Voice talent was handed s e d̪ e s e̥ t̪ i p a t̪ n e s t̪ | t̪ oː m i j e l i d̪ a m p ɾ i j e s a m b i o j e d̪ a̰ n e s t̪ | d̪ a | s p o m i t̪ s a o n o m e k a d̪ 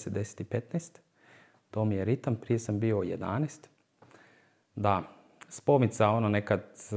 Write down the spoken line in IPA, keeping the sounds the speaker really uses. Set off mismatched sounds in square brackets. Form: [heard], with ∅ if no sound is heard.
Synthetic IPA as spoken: s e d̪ e s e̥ t̪ i p [e] t̪ n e s t̪ | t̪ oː m i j e [ɾ] i [t̪] a m p ɾ i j e s a m b i o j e d̪ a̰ n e s t̪ | d̪ a | s p o m i t̪ s a o n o [n] e k a d̪